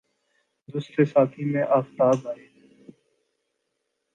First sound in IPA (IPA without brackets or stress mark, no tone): d̪